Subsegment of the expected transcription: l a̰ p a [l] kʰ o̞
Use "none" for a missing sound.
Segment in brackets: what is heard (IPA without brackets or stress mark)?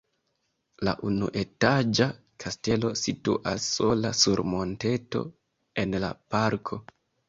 ɾ